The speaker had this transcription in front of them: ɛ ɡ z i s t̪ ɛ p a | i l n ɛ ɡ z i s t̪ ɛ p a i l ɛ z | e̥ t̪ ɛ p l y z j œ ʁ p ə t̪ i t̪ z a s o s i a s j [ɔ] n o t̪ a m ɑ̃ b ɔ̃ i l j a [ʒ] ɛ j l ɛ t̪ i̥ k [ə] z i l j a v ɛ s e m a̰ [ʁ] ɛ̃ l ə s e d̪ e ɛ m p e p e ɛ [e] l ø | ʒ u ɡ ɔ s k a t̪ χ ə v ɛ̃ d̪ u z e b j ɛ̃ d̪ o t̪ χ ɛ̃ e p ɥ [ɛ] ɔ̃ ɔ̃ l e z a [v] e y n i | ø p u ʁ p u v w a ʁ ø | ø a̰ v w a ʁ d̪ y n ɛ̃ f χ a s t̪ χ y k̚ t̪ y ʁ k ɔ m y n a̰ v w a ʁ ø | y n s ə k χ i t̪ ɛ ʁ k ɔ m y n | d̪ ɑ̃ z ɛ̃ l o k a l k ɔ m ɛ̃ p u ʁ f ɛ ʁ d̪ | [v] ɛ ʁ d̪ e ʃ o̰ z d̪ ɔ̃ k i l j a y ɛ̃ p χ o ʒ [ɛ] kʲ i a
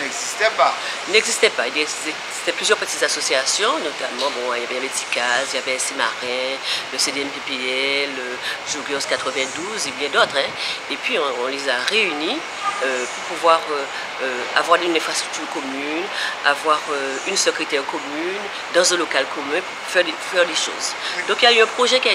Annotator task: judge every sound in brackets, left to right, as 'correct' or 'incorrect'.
incorrect, incorrect, incorrect, correct, incorrect, incorrect, incorrect, incorrect, correct

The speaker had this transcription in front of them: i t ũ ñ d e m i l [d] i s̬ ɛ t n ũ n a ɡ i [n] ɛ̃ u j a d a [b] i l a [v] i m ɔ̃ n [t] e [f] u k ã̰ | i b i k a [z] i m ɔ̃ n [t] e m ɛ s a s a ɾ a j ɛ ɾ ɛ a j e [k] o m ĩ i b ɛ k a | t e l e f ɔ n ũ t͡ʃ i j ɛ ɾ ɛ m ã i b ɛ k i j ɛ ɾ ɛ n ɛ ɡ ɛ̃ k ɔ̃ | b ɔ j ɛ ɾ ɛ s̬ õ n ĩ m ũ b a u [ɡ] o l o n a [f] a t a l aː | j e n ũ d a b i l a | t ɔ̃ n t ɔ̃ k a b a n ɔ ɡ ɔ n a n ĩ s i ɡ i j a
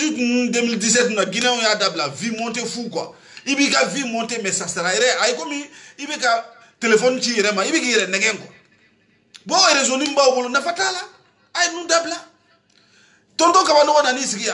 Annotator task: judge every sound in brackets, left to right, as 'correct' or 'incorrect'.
correct, correct, correct, correct, correct, correct, incorrect, correct, correct, incorrect, correct

